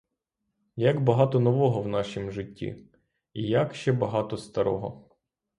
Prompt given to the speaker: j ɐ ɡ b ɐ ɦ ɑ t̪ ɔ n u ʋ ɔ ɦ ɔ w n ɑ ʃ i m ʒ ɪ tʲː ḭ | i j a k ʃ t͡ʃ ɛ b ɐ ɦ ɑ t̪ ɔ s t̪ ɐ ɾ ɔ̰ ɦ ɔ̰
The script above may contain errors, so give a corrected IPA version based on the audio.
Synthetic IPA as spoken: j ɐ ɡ b ɐ ɦ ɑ t̪ ɔ n ɔ ʋ ɔ ɦ ɔ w n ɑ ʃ i m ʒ ɪ tʲː ḭ | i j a k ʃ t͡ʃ ɛ b ɐ ɦ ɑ t̪ ɔ s t̪ ɐ ɾ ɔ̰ ɦ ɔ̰